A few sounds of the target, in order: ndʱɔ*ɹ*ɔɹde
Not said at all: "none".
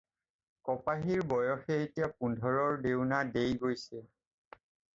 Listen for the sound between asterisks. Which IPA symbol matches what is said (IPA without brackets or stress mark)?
ɹ